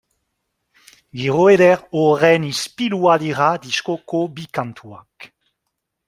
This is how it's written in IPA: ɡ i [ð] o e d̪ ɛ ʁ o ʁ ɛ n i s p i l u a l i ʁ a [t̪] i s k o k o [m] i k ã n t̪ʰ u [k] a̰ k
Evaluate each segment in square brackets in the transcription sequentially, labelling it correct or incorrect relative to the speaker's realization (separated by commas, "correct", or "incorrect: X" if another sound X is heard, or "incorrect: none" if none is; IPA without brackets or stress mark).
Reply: incorrect: ʁ, incorrect: d̪, incorrect: b, incorrect: none